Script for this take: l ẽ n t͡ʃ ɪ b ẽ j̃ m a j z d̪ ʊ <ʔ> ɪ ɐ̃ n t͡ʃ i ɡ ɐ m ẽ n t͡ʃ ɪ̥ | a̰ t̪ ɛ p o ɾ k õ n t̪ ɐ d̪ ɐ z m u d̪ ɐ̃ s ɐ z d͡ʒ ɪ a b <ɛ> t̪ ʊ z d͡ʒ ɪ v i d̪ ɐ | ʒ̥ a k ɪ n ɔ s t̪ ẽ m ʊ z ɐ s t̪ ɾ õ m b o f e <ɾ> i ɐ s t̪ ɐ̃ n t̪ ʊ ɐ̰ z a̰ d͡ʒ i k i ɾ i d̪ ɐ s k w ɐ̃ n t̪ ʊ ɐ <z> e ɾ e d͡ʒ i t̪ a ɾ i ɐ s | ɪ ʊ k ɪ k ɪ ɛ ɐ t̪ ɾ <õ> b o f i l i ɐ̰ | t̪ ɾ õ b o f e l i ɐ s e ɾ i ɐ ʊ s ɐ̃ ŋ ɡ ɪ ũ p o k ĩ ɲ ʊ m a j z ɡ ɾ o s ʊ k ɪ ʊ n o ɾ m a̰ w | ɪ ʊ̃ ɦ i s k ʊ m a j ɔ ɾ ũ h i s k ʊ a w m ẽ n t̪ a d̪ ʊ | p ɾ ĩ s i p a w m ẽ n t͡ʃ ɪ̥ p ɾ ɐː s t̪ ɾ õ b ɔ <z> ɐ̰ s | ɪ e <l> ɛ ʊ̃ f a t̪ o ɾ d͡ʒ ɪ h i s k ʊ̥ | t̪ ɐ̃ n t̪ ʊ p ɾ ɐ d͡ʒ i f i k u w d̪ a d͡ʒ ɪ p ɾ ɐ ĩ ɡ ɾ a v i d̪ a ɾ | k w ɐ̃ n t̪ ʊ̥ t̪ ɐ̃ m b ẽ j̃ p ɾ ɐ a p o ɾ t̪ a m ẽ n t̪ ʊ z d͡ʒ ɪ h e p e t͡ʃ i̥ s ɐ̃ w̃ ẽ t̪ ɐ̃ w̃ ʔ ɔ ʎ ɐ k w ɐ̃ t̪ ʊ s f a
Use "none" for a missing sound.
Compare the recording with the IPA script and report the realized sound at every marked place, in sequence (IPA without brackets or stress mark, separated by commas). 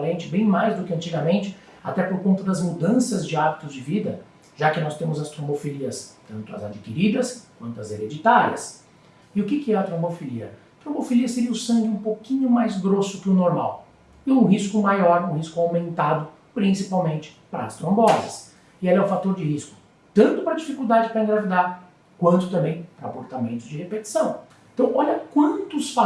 k, i, l, z, õ, z, l